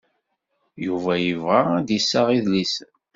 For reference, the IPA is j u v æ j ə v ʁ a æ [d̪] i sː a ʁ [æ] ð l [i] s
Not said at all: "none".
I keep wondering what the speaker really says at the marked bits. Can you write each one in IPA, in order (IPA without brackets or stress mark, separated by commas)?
d̪, i, i